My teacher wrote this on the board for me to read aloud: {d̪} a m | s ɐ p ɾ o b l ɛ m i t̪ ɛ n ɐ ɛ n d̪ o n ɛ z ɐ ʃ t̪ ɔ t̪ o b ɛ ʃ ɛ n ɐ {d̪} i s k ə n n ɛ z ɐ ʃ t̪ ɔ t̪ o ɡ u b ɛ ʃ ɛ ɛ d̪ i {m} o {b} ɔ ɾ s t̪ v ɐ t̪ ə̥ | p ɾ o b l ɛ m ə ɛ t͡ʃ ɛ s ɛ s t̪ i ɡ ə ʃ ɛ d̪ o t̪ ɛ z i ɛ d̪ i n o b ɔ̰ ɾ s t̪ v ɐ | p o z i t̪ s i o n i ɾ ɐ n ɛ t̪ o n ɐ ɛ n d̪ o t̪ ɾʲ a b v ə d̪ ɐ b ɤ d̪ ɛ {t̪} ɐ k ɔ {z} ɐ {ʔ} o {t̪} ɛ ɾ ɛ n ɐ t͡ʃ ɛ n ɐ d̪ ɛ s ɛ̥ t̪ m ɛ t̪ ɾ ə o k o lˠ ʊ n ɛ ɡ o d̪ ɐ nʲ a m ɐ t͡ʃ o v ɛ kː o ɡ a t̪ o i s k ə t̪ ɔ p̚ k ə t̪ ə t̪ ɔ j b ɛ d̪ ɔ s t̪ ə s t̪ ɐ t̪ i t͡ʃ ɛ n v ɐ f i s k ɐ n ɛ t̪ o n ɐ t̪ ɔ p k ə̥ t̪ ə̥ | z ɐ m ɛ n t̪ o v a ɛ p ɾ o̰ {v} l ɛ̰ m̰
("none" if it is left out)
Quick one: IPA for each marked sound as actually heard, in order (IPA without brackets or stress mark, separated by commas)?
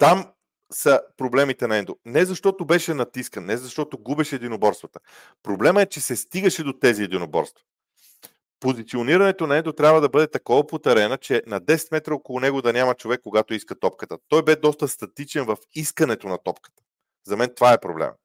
t̪, t̪, n, b, t̪, v, p, t̪, b